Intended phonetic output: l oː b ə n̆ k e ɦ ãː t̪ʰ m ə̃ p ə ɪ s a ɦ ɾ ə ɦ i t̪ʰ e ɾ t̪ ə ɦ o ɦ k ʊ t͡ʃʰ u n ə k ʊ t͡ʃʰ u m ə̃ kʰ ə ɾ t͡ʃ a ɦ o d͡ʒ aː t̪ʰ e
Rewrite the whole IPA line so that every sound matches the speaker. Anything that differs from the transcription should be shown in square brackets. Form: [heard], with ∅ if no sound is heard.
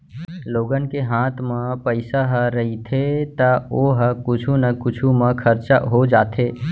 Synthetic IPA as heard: l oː [ɡ] ə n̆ k e ɦ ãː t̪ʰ m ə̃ p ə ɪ s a ɦ ɾ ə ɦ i t̪ʰ e [∅] t̪ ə [∅] o ɦ k ʊ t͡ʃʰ u n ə k ʊ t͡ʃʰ u m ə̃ kʰ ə ɾ t͡ʃ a ɦ o d͡ʒ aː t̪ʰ e